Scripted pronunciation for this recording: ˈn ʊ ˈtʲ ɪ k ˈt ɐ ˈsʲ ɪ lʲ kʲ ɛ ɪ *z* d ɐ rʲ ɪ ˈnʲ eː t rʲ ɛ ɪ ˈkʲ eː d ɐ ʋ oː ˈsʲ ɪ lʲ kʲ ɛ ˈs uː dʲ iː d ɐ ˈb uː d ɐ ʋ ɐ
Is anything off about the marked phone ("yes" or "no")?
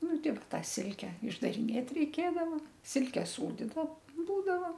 yes